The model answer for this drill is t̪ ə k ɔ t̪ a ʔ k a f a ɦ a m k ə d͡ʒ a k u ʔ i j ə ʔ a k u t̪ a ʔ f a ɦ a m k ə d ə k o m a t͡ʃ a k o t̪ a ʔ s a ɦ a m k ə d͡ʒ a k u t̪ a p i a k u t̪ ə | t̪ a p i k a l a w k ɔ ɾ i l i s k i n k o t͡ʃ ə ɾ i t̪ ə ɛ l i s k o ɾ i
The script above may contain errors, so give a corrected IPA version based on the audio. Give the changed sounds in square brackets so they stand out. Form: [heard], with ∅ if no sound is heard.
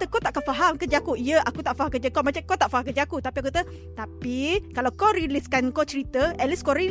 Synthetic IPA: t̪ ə k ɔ t̪ a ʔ k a f a ɦ a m k ə d͡ʒ a k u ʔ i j ə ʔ a k u t̪ a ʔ f a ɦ a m k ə [d͡ʒ] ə k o m a t͡ʃ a k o t̪ a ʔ [f] a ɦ a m k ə d͡ʒ a k u t̪ a p i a k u t̪ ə | t̪ a p i k a l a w k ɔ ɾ i l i s k [a] n k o t͡ʃ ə ɾ i t̪ ə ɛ l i s k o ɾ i